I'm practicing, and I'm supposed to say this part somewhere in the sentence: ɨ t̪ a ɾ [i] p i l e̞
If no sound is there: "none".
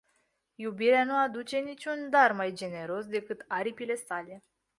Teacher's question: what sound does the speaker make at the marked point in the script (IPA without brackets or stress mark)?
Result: i